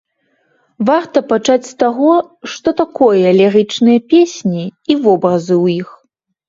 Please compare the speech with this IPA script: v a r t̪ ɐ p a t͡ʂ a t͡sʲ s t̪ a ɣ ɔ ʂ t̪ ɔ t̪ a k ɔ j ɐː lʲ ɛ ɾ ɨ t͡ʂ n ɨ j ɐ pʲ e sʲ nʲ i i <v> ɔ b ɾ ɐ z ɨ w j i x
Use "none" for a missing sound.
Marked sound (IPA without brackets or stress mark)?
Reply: v